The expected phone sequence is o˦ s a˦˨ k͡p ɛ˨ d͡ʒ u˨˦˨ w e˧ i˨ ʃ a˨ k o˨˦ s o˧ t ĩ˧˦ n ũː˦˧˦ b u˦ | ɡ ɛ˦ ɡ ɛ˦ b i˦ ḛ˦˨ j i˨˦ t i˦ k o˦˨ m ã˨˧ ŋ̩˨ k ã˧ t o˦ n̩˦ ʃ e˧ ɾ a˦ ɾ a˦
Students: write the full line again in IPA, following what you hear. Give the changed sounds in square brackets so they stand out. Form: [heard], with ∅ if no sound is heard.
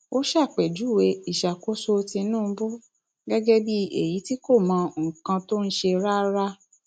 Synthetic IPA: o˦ [ʃ] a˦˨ k͡p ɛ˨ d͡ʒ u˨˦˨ w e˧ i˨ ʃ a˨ k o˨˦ s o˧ t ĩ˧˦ n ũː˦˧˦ b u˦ | ɡ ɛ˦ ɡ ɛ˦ b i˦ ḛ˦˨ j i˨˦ t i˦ k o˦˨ m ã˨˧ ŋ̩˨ k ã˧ t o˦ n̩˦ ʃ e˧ ɾ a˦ ɾ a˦